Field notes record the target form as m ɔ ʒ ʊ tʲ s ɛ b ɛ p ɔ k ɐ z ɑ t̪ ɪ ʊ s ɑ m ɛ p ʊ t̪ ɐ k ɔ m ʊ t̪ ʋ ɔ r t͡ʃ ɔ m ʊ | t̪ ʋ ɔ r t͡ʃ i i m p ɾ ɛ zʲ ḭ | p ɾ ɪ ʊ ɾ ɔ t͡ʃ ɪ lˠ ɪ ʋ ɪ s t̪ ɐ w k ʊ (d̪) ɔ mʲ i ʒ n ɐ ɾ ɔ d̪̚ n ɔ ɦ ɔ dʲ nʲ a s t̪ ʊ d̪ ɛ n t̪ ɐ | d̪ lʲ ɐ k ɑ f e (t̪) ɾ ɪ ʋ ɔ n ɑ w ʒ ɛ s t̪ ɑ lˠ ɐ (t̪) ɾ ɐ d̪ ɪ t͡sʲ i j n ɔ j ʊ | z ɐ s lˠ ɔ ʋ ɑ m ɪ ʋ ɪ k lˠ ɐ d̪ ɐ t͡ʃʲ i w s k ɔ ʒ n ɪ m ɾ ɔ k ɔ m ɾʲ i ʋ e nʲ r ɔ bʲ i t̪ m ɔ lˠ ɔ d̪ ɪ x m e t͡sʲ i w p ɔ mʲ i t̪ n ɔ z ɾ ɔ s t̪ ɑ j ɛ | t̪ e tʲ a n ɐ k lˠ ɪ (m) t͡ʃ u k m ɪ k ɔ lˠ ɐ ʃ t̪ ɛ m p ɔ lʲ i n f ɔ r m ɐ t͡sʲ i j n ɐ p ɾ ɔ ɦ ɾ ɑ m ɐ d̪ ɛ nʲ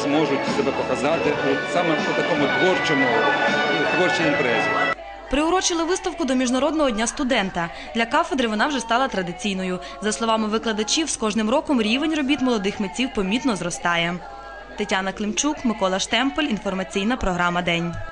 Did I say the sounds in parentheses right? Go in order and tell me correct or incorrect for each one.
correct, incorrect: d̪, correct, correct

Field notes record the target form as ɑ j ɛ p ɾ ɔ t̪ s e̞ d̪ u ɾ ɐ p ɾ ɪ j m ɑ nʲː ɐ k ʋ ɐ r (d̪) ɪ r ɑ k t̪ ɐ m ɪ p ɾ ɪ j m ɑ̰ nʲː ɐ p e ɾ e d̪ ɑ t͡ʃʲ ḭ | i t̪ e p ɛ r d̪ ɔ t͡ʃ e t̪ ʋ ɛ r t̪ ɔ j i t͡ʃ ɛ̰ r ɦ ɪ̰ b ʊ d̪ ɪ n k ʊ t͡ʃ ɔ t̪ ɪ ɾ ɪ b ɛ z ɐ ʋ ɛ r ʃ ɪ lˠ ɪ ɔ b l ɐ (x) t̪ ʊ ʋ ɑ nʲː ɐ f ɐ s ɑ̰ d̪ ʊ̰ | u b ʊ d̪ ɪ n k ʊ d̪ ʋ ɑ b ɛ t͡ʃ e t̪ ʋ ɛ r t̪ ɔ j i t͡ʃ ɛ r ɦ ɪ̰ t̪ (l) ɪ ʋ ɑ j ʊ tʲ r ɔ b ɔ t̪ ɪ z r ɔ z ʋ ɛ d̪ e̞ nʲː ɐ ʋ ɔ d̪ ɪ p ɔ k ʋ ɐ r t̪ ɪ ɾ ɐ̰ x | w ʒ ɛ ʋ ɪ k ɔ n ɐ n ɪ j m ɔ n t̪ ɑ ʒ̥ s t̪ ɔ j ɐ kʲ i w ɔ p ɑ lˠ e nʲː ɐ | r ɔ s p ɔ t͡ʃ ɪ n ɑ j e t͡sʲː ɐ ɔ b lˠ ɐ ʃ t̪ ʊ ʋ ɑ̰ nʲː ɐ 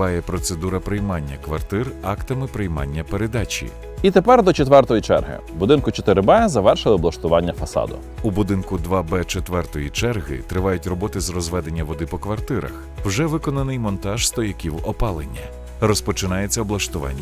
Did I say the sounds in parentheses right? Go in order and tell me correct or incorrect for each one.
incorrect: t̪, incorrect: ʃ, incorrect: ɾ

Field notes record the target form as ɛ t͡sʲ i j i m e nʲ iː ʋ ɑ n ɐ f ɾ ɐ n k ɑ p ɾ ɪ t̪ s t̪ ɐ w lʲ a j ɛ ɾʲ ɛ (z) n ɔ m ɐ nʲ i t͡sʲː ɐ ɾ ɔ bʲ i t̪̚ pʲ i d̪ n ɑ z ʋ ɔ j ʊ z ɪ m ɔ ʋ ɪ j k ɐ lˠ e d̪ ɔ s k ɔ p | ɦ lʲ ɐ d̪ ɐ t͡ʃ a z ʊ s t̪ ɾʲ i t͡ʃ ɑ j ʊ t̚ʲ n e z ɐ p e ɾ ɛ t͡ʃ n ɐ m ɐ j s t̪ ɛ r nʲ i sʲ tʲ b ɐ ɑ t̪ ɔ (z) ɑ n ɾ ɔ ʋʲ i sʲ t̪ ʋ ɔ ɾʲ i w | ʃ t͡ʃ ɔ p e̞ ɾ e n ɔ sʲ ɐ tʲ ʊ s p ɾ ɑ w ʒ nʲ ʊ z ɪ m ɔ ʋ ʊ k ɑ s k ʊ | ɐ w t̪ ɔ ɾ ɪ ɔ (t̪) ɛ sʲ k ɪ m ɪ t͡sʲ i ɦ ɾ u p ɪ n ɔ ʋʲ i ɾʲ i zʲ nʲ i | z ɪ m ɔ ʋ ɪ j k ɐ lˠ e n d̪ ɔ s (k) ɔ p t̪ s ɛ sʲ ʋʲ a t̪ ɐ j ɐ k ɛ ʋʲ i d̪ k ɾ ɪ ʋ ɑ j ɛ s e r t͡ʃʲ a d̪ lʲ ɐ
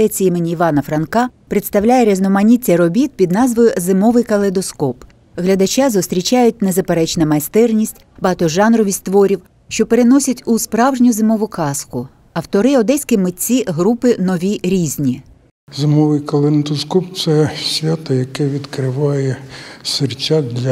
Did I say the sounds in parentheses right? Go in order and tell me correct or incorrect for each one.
correct, incorrect: ʒ, incorrect: d̪, correct

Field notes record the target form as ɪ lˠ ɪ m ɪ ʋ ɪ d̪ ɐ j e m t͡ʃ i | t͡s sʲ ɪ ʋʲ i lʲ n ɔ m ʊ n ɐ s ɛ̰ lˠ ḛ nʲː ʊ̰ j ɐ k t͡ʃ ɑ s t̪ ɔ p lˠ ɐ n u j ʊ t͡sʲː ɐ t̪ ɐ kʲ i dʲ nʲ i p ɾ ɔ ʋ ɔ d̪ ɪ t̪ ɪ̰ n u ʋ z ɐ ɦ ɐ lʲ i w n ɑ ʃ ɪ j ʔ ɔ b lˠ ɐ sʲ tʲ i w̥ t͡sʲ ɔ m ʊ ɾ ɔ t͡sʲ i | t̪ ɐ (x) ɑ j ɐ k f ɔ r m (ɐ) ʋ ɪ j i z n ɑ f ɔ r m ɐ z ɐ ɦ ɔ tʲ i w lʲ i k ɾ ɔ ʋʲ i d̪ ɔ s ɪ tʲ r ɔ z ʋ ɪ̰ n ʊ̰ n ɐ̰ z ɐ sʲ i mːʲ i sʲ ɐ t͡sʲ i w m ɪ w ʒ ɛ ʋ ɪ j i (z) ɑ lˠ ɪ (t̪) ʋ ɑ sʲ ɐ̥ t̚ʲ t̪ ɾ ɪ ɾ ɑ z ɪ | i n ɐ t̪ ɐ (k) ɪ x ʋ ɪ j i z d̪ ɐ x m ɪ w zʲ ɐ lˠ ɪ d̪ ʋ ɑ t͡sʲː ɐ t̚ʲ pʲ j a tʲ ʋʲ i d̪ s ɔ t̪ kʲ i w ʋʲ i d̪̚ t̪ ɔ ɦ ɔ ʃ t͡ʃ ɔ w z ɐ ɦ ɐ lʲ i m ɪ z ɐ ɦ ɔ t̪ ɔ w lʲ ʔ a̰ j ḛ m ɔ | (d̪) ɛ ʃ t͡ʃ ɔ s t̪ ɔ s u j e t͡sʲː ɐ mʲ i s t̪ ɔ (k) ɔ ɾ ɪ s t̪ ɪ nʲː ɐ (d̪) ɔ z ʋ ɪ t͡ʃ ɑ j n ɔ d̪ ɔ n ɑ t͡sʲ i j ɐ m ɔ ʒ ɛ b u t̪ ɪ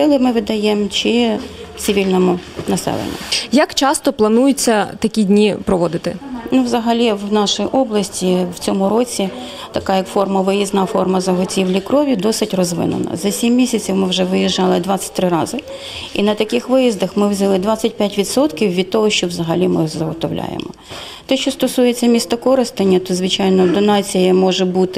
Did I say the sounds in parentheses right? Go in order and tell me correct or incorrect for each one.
incorrect: k, correct, incorrect: ʒ, incorrect: d̪, correct, incorrect: t̪, correct, incorrect: t̪

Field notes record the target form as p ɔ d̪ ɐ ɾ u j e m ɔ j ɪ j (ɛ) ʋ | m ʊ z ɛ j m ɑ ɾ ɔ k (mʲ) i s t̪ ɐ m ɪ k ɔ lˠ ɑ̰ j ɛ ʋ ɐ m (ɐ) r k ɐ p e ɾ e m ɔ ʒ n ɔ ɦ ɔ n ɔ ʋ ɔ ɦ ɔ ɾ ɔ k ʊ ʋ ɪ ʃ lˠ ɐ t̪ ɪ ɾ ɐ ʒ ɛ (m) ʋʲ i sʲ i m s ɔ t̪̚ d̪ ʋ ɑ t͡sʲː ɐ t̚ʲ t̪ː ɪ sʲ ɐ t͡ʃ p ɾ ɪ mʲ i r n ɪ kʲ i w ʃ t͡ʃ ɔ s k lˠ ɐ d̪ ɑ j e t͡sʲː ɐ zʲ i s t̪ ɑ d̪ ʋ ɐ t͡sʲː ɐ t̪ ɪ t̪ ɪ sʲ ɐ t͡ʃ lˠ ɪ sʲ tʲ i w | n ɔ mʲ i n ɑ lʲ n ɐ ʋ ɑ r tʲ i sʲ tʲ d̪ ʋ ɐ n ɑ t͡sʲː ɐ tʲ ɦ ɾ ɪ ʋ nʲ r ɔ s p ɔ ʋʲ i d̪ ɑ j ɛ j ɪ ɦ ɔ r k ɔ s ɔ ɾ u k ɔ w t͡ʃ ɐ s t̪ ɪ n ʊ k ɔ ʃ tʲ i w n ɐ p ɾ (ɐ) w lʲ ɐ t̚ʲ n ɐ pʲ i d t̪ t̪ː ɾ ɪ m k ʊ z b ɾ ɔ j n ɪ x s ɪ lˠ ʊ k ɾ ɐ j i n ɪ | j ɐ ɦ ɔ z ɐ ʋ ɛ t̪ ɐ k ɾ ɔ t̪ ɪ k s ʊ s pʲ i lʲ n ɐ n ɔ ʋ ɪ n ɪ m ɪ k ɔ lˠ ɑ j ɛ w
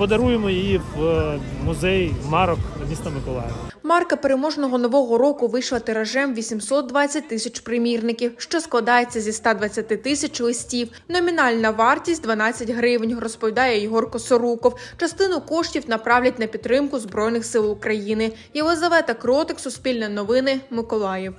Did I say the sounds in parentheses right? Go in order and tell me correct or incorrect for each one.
incorrect: i, correct, incorrect: ɑ, correct, incorrect: ɑ

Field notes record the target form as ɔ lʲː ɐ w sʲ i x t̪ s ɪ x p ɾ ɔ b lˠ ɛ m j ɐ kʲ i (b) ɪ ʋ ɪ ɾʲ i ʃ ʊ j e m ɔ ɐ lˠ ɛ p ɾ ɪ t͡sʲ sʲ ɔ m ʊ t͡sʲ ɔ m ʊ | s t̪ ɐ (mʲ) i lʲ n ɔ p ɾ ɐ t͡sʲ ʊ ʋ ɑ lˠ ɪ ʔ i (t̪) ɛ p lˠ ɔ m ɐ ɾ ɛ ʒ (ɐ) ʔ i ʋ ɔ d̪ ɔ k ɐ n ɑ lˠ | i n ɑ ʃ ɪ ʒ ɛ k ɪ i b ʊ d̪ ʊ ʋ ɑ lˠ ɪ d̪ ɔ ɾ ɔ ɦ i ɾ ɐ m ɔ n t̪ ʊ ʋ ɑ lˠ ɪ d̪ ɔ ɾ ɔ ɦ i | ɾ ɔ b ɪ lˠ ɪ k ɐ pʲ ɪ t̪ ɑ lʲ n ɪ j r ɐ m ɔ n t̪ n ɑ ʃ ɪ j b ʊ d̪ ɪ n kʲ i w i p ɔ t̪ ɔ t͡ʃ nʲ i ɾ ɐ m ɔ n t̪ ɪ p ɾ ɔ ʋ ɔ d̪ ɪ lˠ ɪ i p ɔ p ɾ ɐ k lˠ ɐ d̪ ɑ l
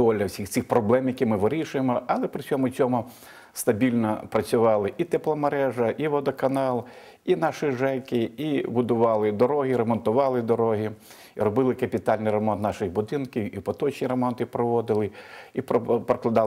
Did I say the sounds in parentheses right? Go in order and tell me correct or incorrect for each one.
incorrect: m, incorrect: bʲ, correct, correct

